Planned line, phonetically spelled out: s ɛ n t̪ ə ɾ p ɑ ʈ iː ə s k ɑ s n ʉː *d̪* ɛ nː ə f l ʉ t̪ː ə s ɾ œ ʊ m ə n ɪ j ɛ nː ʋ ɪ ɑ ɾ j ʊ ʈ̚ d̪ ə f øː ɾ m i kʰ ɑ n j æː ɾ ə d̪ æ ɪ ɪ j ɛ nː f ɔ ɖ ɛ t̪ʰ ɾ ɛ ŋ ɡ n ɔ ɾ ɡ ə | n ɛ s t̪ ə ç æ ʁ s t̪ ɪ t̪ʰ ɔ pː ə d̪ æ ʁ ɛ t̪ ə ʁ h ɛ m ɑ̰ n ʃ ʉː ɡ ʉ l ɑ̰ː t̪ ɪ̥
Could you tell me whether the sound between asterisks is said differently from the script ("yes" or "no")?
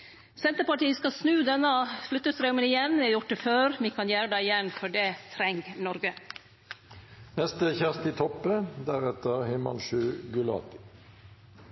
no